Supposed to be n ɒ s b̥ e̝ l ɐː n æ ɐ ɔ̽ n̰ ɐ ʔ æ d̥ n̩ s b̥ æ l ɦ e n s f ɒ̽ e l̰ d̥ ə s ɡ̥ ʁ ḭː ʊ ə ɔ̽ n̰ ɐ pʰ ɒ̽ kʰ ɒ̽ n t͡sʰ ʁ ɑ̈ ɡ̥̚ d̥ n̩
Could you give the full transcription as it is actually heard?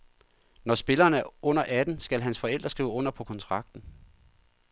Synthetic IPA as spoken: n ɒ s b̥ e̝ l ɐː n æ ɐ ɔ̽ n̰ ɐ ʔ æ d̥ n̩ s ɡ̥ æ l ɦ æ n s f ɒ̽ e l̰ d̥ ɐ s ɡ̥ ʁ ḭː ʊ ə ɔ̽ n̰ ɐ pʰ ɒ̽ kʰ ɒ̽ n t͡sʰ ʁ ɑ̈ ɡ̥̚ d̥ n̩

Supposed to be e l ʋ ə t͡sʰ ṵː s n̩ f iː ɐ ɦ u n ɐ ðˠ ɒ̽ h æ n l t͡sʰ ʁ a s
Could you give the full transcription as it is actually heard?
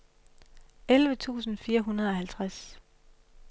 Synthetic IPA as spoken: e l ʋ ə t͡sʰ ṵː s n̩ f iː ɐ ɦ u n ɐ ðˠ ɒ̽ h æ l t͡sʰ ʁ a s

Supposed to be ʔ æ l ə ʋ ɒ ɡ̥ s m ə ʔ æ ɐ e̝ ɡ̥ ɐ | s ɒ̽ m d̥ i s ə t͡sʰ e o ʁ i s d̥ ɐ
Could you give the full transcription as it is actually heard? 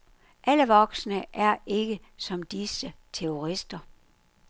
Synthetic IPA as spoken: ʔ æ l ə ʋ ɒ ɡ̥ s n ə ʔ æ ɐ e̝ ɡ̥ ə | s ɒ̽ m d̥ i s ə t͡sʰ e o ʁ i s d̥ ɐ

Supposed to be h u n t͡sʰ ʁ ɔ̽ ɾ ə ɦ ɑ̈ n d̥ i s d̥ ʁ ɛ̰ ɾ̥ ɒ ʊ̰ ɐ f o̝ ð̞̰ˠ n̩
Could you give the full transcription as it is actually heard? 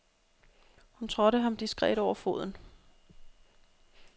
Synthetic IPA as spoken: h u n t͡sʰ ʁ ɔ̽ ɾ ə ɦ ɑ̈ m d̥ i s ɡ̥ ʁ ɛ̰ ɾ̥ ɒ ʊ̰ ɐ f o̝ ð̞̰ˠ n̩

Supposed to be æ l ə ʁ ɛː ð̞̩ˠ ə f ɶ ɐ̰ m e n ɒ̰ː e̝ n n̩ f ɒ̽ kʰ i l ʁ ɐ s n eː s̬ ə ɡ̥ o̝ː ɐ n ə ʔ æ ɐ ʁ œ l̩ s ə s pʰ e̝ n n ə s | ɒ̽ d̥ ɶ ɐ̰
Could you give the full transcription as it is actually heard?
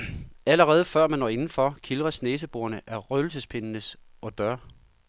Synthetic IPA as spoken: æ l ə ʁ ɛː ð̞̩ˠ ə f ɶ ɐ̰ m æ n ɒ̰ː e̝ n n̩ f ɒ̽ kʰ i l ʁ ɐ s n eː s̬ ə b̥ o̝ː ɐ n ə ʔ æ ɐ ʁ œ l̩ s ə s pʰ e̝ n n ə s | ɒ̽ d̥ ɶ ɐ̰

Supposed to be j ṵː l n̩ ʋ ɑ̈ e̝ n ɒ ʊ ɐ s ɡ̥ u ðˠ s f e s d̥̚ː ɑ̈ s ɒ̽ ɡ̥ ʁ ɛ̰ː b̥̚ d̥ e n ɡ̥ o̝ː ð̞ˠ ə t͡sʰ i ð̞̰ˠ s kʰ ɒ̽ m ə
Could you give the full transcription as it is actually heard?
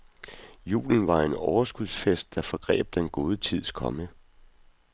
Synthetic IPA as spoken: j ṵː l n̩ ʋ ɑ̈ e̝ n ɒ ʊ ɐ s ɡ̥ u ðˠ s f e s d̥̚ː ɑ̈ f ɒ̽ ɡ̥ ʁ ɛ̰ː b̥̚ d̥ e n ɡ̥ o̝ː ð̞ˠ ə t͡sʰ i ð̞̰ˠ s kʰ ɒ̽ m ə

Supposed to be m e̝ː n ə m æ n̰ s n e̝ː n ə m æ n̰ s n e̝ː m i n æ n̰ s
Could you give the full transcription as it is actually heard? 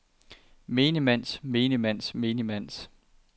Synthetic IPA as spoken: m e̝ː n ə m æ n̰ s m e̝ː n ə m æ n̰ s m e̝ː n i m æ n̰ s

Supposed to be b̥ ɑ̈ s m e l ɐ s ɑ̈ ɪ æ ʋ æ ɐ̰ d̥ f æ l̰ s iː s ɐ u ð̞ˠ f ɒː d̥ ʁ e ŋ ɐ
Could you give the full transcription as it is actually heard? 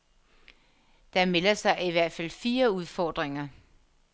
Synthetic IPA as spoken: d̥ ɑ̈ m e l ɐ s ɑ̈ ɪ i ʋ æ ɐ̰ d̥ f æ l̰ f iː ɐ u ð̞ˠ f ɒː d̥ ʁ e ŋ ɐ

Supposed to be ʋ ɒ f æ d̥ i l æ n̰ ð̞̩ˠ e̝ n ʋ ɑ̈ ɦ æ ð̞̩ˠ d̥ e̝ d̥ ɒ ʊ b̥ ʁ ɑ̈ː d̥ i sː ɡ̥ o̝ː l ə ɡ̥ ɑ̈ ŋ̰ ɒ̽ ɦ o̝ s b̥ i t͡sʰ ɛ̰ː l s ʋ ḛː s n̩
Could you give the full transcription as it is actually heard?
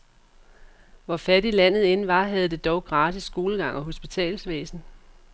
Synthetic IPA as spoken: ʋ ɒ f æ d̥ i l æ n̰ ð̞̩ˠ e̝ n ʋ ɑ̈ ɦ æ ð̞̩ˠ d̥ e̝ d̥ ɒ ʊ ɡ̥ ʁ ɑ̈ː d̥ i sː ɡ̥ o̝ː l ə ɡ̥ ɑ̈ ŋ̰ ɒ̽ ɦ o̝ s b̥ i t͡sʰ ɛ̰ː l s ʋ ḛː s n̩

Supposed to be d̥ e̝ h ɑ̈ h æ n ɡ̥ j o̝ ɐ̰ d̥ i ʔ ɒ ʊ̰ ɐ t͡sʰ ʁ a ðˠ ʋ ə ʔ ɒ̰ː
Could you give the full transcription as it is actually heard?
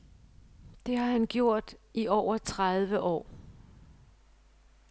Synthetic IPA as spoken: d̥ e̝ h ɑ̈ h æ n ɡ̥ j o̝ ɐ̰ d̥ i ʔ ɒ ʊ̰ ɐ t͡sʰ ʁ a ðˠ ʋ ə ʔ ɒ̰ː

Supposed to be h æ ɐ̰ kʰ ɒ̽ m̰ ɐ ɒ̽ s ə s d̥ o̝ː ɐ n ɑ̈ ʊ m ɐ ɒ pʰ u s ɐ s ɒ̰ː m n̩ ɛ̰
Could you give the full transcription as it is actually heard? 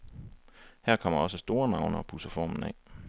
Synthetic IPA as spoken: h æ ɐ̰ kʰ ɒ̽ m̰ ɐ ɒ̽ s ə s d̥ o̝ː ɐ n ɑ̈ ʊ n ɐ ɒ pʰ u s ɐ f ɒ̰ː m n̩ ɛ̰

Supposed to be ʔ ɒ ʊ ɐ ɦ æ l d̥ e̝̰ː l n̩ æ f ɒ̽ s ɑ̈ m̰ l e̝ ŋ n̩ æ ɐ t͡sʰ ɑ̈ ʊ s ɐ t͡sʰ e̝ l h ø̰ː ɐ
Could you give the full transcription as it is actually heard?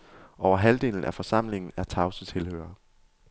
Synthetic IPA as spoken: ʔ ɒ ʊ ɐ ɦ æ l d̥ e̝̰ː l n̩ æ f ɒ̽ s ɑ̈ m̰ l e̝ ŋ n̩ æ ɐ t͡sʰ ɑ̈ ʊ s ə t͡sʰ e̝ l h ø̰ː ɐ

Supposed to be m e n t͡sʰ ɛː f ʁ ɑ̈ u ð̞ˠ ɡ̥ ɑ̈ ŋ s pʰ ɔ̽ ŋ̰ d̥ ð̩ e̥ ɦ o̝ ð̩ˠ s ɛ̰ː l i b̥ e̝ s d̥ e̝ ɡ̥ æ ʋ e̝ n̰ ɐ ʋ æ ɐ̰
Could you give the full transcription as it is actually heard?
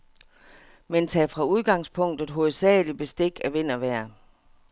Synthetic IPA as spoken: m e n t͡sʰ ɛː f ʁ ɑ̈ u ð̞ˠ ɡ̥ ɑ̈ ŋ s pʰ ɔ̽ ŋ̰ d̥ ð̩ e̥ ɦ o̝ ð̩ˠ s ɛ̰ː l i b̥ e̝ s d̥ e̝ ɡ̥ æ ʋ e̝ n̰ ɐ ʋ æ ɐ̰

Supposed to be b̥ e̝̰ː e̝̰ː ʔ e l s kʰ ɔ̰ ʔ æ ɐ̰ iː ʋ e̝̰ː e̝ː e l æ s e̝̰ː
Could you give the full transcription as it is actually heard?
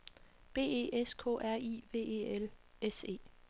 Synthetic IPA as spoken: b̥ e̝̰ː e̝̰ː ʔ e s kʰ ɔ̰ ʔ æ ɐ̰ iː ʋ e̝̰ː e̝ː e l e s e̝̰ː

